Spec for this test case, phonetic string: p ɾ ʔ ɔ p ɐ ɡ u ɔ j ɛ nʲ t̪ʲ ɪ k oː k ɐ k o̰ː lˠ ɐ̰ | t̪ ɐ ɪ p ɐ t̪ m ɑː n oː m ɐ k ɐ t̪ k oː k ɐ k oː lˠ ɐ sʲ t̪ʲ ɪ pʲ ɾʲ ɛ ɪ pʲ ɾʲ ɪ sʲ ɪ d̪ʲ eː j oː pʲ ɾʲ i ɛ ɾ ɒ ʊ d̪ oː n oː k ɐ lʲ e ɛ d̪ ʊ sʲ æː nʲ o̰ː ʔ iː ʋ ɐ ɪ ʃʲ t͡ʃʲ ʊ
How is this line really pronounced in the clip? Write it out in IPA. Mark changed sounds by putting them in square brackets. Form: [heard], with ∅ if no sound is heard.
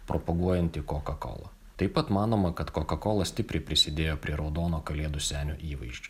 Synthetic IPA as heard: p ɾ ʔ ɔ p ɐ ɡ u ɔ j ɛ nʲ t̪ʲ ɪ k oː k ɐ k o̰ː lˠ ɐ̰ | t̪ ɐ ɪ p ɐ t̪ m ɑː n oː m ɐ k ɐ t̪ k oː k ɐ k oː lˠ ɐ sʲ t̪ʲ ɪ pʲ ɾʲ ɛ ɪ pʲ ɾʲ ɪ sʲ ɪ d̪ʲ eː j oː pʲ ɾʲ i ɛ ɾ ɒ ʊ d̪ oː n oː k ɐ lʲ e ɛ d̪ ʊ sʲ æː nʲ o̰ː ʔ iː ʋ ɐ ɪ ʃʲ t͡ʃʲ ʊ